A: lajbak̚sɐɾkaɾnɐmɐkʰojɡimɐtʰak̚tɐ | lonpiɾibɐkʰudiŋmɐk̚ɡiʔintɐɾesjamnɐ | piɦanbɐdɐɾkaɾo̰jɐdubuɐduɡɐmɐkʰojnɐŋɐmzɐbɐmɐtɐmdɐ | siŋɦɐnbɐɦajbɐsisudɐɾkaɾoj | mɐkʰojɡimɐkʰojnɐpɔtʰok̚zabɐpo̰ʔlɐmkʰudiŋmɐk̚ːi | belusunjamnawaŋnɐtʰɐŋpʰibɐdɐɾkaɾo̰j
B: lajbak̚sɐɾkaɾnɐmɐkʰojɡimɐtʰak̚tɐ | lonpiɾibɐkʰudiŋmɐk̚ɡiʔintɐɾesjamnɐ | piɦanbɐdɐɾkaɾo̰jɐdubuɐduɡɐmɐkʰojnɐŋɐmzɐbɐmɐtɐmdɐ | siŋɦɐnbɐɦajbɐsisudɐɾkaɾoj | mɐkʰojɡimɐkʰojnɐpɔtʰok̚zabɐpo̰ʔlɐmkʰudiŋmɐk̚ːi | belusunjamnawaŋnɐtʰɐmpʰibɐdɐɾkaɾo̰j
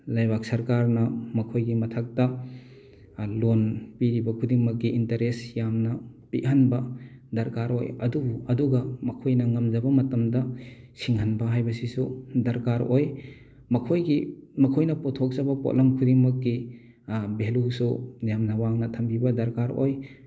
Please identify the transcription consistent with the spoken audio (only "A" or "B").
B